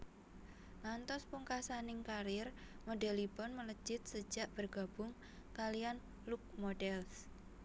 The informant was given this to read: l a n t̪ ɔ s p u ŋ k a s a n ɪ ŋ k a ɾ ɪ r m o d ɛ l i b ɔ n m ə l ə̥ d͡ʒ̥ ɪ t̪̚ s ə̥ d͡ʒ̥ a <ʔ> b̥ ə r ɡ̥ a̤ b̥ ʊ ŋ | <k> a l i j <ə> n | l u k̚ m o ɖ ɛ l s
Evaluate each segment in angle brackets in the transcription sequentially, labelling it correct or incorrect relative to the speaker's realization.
correct, correct, incorrect: a

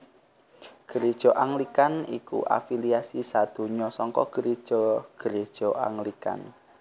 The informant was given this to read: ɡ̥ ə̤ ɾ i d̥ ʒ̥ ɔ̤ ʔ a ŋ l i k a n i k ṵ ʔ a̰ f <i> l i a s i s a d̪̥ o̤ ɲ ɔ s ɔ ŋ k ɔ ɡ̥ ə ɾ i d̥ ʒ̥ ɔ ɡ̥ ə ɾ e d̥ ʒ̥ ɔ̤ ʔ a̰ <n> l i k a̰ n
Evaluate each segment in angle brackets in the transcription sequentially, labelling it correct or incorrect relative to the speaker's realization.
correct, incorrect: ŋ

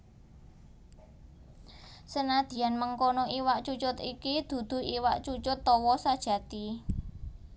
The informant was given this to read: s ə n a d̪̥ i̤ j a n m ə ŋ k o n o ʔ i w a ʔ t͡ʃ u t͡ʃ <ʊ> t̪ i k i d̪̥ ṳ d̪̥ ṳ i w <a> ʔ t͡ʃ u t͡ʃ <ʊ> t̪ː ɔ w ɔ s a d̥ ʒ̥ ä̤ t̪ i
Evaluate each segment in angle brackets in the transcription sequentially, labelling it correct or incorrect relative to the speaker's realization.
correct, correct, correct

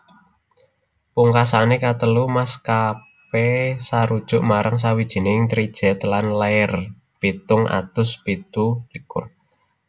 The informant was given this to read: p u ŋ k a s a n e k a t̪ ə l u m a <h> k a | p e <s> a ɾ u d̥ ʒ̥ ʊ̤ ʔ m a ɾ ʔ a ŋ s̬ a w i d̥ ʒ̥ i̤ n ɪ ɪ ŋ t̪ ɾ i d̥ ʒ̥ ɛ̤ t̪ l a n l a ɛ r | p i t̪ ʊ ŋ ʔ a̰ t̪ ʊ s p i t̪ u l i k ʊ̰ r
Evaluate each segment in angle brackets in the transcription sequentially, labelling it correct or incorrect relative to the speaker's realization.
incorrect: s, correct

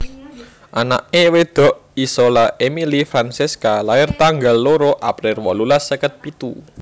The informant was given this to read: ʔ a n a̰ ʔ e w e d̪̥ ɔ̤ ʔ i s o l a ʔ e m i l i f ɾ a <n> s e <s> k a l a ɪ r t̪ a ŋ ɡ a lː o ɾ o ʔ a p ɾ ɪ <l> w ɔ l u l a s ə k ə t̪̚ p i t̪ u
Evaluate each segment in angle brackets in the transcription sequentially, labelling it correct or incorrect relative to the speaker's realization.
correct, correct, incorrect: r

